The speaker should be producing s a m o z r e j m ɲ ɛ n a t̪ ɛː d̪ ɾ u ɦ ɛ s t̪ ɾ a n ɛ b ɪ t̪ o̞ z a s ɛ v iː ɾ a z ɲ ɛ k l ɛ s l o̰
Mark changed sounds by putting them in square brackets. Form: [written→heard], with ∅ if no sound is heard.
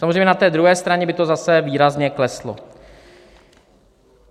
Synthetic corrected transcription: s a m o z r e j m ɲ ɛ n a t̪ ɛː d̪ ɾ u ɦ [ɛ→ɛː] s t̪ ɾ a [n→ɲ] ɛ b ɪ t̪ o̞ z a s ɛ v iː ɾ a z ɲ ɛ k l ɛ s l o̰